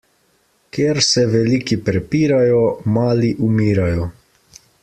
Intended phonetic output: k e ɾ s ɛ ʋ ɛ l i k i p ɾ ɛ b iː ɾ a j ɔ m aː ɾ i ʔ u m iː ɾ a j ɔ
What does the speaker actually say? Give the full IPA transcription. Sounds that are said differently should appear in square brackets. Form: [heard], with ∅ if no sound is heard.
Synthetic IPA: k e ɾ s ɛ ʋ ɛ l i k i p ɾ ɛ [p] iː ɾ a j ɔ m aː [l] i ʔ u m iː ɾ a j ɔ